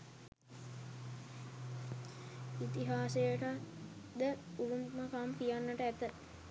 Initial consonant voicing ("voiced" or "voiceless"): voiceless